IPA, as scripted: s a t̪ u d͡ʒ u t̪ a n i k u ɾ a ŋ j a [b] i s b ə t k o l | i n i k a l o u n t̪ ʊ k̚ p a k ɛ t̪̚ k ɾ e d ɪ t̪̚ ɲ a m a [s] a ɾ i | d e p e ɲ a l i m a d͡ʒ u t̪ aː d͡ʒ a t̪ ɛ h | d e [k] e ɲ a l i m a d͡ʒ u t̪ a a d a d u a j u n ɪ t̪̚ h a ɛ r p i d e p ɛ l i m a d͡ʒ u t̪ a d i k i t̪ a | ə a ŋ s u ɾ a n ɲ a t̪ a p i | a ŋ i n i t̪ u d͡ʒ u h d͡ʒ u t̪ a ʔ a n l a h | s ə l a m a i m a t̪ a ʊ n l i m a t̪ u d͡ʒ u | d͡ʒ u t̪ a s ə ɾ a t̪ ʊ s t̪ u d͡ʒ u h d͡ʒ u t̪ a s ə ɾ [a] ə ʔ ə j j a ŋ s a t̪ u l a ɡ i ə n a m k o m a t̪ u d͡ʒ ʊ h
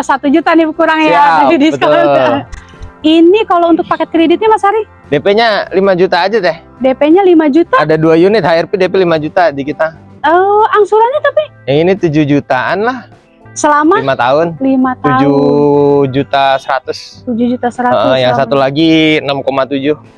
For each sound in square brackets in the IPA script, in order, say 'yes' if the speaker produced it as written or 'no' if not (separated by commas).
no, yes, no, yes